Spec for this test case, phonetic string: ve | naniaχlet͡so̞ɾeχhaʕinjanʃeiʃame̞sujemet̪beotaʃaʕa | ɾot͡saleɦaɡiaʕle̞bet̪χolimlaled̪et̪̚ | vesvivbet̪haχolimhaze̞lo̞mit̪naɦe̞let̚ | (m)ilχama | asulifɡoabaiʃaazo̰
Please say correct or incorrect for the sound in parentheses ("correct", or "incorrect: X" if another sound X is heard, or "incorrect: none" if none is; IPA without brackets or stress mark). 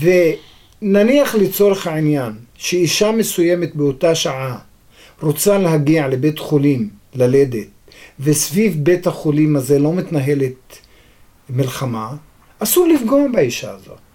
correct